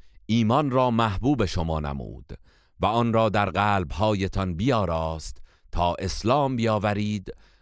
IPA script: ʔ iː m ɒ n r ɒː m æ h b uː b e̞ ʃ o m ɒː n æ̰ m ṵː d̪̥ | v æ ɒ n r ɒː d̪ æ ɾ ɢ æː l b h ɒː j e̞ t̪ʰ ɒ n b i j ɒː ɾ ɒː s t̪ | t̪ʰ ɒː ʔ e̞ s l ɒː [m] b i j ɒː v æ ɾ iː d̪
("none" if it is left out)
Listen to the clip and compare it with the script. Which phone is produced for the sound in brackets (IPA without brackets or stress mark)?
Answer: m